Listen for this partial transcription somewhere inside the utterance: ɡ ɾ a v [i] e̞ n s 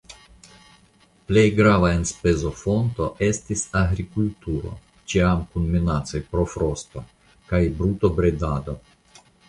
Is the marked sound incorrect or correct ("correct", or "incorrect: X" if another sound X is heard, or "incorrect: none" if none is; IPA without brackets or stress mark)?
incorrect: a